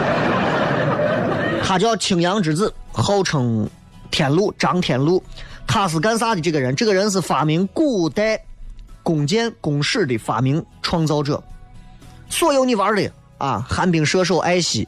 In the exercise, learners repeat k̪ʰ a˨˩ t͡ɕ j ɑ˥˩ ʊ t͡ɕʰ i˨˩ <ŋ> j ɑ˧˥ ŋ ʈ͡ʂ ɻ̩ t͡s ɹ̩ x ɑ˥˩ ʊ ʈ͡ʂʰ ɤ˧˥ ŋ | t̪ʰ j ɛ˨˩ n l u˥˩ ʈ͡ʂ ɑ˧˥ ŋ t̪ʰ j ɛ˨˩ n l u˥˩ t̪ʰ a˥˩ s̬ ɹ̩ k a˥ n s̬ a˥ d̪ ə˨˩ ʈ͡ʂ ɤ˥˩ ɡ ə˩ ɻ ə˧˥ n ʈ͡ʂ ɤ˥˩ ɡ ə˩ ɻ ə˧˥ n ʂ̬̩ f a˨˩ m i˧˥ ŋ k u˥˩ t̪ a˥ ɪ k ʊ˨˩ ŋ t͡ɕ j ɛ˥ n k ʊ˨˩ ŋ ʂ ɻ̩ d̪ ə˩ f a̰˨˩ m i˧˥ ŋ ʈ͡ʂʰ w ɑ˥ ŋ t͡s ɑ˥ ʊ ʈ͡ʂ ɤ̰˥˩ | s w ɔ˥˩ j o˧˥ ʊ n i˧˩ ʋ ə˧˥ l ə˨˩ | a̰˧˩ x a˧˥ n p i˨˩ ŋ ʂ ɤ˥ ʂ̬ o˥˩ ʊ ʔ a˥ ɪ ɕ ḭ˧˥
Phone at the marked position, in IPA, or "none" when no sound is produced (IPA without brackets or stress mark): ŋ